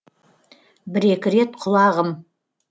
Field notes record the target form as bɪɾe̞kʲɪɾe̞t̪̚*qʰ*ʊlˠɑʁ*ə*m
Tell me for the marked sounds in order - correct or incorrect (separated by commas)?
correct, correct